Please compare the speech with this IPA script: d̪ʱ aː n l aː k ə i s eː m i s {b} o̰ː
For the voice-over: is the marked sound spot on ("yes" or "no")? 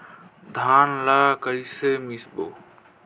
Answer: yes